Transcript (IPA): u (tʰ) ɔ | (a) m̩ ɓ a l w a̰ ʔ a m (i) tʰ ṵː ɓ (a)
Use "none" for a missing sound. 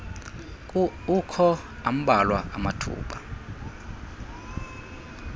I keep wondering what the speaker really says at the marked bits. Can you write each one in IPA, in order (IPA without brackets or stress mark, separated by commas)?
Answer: kʰ, a, a, a